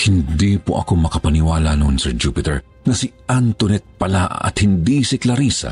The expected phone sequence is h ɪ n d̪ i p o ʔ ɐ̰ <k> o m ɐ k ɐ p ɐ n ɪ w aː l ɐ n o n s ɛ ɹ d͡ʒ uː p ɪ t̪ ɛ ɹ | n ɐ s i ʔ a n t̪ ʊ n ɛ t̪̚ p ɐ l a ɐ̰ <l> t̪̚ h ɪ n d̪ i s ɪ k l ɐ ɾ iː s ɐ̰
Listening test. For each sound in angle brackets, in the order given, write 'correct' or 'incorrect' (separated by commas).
correct, incorrect